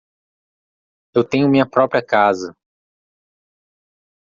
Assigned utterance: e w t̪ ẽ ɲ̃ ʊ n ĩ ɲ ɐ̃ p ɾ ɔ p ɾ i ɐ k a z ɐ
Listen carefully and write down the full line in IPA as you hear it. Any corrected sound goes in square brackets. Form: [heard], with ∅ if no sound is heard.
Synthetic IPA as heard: e w t̪ ẽ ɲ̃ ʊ [m] ĩ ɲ [ɐ] p ɾ ɔ p ɾ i ɐ k a z ɐ